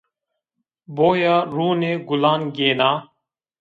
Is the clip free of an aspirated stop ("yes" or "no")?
yes